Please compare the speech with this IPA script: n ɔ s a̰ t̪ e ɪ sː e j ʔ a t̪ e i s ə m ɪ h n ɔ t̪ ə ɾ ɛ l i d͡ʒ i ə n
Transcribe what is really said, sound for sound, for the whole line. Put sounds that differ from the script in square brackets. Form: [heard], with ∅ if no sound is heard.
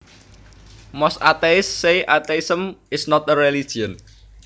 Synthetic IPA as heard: [m] ɔ s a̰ t̪ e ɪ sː e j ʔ a t̪ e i s ə m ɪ [s] n ɔ t̪ ə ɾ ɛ l i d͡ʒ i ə n